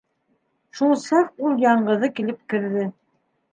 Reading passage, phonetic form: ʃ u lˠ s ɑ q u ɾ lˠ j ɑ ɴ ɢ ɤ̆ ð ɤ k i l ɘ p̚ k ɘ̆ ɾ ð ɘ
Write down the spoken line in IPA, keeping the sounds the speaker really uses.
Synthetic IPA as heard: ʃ u lˠ s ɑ q u lˠ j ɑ ɴ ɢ ɤ̆ ð ɤ k i l ɘ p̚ k ɘ̆ ɾ ð ɘ